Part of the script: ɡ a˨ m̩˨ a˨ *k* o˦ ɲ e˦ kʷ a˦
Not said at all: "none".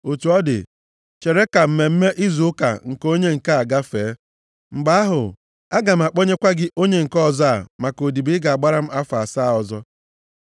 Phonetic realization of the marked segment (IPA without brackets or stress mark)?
k͡p